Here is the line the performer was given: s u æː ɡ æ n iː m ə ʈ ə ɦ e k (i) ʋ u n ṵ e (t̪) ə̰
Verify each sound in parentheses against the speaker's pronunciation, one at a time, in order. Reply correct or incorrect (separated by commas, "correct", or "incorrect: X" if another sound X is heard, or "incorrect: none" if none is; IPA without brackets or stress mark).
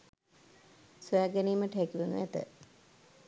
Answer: correct, correct